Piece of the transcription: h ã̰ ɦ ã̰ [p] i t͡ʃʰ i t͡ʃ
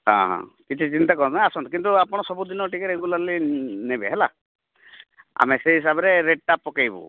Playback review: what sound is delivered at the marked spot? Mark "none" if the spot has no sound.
k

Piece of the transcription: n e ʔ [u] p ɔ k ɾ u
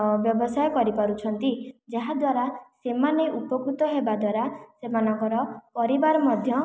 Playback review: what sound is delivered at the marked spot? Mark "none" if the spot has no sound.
u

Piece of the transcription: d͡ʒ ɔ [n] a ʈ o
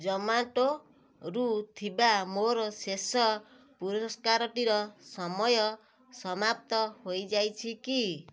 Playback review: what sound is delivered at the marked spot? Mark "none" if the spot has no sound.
m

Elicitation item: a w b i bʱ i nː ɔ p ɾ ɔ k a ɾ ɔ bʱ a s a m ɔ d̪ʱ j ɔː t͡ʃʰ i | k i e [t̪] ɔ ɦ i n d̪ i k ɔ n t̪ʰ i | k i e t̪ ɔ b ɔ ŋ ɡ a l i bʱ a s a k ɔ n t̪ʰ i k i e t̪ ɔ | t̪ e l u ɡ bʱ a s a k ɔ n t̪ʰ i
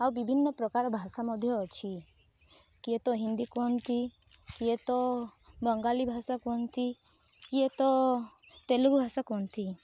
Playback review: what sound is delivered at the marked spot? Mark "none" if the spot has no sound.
t̪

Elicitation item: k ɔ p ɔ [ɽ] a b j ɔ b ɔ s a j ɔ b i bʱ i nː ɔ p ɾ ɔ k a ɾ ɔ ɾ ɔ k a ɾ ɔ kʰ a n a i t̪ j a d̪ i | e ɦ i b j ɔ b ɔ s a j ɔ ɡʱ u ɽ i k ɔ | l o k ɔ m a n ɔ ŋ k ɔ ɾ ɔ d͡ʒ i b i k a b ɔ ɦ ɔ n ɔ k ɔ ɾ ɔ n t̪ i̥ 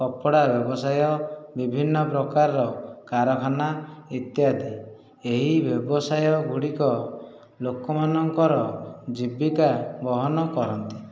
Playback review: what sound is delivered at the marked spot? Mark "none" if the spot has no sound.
ɽ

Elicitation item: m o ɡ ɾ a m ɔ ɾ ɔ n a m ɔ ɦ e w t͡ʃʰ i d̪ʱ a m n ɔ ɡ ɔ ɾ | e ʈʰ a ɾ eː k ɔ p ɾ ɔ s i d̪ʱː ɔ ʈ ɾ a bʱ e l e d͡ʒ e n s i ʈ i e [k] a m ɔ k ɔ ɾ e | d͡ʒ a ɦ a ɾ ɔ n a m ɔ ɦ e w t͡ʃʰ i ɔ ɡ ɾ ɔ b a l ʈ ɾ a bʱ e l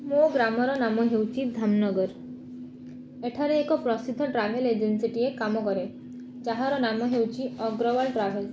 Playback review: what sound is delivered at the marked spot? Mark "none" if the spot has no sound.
k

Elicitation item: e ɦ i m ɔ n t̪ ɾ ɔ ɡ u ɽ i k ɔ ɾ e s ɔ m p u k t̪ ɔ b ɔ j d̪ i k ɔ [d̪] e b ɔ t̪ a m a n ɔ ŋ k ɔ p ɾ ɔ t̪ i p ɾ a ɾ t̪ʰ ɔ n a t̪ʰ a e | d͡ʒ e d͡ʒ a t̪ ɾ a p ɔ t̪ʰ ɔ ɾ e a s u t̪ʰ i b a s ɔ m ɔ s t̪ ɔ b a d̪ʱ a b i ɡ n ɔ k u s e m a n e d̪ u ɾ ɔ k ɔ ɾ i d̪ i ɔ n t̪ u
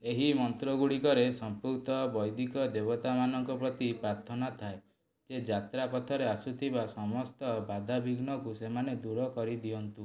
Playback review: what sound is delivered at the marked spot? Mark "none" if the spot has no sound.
d̪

